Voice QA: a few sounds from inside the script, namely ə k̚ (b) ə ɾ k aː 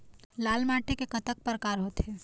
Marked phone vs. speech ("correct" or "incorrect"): incorrect